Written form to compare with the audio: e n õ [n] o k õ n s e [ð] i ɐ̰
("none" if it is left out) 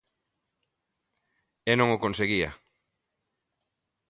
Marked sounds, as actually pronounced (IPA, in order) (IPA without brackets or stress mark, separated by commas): ŋ, ɣ